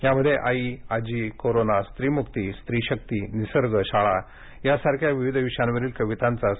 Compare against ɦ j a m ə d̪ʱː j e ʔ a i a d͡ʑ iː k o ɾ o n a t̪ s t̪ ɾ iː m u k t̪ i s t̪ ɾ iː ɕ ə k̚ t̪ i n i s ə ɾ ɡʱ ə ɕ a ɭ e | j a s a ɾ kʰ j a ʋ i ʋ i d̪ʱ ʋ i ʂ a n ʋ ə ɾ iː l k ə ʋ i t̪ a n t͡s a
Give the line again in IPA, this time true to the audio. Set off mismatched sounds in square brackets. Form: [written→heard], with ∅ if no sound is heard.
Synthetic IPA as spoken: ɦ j a m ə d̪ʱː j e ʔ a i a d͡ʑ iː k o ɾ o n a [t̪→∅] s t̪ ɾ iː m u k t̪ i s t̪ ɾ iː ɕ ə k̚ t̪ i n i s ə ɾ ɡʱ ə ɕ a ɭ [e→a] | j a s a ɾ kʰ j a ʋ i ʋ i d̪ʱ ʋ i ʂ a n ʋ ə ɾ iː l k ə ʋ i t̪ a n t͡s a